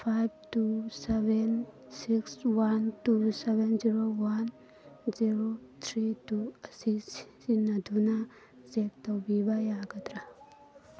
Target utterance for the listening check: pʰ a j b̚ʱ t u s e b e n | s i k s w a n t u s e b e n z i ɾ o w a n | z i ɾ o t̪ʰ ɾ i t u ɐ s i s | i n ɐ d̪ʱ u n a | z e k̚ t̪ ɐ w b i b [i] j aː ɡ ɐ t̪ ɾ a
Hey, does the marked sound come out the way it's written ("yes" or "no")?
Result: no